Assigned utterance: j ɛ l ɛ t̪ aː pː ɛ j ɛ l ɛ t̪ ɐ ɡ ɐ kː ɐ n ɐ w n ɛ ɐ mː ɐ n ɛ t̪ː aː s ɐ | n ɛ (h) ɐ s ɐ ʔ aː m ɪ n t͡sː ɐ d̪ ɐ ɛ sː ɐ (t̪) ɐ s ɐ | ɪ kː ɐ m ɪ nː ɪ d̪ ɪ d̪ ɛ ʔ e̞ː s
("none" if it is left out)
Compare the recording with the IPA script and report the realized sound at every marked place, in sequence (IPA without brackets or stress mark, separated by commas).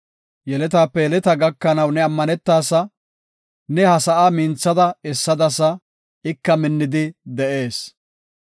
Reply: h, d̪